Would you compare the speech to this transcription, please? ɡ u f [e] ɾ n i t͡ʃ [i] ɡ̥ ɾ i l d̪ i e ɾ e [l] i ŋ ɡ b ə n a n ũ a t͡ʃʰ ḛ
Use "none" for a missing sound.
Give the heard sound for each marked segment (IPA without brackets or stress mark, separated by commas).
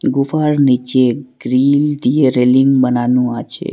a, e, l